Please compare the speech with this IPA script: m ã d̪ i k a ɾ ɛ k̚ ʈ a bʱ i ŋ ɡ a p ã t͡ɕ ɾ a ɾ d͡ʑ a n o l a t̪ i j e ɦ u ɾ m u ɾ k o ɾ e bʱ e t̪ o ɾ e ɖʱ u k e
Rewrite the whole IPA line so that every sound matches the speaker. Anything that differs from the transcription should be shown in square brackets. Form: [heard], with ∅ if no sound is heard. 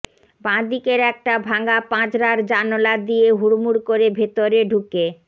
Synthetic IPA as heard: [b] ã d̪ i k [e] ɾ ɛ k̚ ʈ a bʱ [a] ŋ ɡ a p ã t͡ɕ ɾ a ɾ d͡ʑ a n o l a [d̪] i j e ɦ u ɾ m u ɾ k o ɾ e bʱ e t̪ o ɾ e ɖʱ u k e